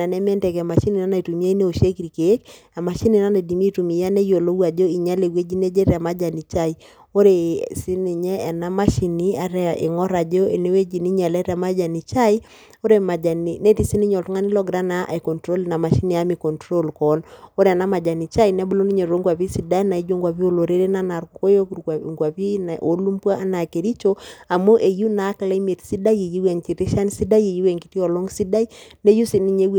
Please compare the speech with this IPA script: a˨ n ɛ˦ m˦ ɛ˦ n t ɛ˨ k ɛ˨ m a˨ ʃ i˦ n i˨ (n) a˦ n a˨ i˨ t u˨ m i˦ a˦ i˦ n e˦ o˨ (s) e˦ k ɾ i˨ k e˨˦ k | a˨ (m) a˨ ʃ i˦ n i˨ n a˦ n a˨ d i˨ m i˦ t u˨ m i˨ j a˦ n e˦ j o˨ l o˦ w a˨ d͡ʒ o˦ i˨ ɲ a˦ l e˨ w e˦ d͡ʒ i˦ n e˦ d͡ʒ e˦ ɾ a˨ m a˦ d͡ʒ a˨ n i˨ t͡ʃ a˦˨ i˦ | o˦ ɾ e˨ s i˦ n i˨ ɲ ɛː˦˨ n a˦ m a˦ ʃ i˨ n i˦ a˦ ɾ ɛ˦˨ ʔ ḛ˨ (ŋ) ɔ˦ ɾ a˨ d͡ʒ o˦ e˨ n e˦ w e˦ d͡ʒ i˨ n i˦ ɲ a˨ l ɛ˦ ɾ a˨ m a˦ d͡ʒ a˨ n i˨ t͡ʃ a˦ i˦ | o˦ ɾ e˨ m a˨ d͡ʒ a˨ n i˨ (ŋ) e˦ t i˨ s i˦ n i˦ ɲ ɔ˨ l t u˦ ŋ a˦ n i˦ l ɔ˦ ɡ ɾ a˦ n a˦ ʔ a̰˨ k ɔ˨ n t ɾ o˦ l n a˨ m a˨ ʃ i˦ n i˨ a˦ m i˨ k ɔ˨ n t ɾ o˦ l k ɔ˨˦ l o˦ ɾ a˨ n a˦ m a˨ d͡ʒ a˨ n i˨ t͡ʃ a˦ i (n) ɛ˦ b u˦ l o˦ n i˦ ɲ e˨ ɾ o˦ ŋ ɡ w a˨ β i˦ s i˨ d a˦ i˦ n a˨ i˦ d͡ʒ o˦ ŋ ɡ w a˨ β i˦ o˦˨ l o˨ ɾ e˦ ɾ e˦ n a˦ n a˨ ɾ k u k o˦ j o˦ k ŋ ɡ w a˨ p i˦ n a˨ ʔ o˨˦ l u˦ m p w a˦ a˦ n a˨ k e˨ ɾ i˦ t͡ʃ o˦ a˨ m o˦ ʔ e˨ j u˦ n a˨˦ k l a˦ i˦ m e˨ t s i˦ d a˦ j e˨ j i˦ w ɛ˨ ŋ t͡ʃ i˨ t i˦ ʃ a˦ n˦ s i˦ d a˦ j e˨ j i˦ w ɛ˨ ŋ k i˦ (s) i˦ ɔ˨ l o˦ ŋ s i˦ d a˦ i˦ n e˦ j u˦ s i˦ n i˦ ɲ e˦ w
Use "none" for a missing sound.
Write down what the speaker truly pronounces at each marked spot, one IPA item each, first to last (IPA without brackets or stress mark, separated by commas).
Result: n, ʃ, m, ŋ, n, n, t